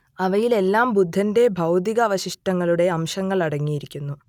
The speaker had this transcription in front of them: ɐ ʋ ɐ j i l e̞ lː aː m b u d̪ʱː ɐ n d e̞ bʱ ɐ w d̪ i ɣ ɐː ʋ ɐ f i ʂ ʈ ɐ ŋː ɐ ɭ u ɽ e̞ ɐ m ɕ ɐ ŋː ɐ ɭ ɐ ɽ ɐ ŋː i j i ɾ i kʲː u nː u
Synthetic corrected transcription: ɐ ʋ ɐ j i l e̞ lː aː m b u d̪ʱː ɐ n d e̞ bʱ ɐ w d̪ i ɣ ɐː ʋ ɐ ɕ i ʂ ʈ ɐ ŋː ɐ ɭ u ɽ e̞ ɐ m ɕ ɐ ŋː ɐ ɭ ɐ ɽ ɐ ŋː i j i ɾ i kʲː u nː u

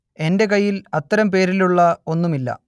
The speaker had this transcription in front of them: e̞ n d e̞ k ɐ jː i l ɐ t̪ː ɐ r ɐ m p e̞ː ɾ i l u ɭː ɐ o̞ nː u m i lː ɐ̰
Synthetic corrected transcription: e̞ n d e̞ k ɐ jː i l ɐ t̪ː ɐ ɾ ɐ m p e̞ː ɾ i l u ɭː ɐ o̞ nː u m i lː ɐ̰

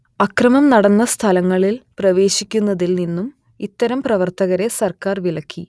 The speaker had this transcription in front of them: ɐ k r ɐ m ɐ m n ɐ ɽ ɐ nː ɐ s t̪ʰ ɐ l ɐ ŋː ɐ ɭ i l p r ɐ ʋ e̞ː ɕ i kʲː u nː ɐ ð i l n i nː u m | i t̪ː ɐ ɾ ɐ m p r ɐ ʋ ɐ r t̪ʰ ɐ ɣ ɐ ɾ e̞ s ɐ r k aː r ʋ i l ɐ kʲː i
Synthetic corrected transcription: ɐ k r ɐ m ɐ m n ɐ ɽ ɐ nː ɐ s t̪ʰ ɐ l ɐ ŋː ɐ ɭ i l p r ɐ ʋ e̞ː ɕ i kʲː u nː ɐ ð i l n i nː u m | i t̪ː ɐ ɾ ɐ m p r ɐ ʋ ɐ r t̪ ɐ ɣ ɐ ɾ e̞ s ɐ r k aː r ʋ i l ɐ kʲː i

